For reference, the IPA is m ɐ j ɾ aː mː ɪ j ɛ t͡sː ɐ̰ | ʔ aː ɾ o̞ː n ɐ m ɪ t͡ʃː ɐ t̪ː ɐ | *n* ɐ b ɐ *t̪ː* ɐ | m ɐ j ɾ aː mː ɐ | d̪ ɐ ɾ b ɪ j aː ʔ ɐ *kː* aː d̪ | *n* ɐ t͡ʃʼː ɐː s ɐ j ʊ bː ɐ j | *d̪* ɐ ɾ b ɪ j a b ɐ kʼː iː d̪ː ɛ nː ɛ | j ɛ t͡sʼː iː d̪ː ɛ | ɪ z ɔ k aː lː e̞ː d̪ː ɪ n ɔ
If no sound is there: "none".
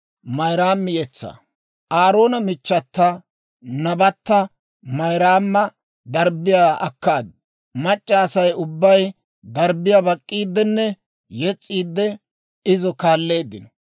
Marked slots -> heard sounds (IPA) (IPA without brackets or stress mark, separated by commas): n, t̪ː, kː, m, d̪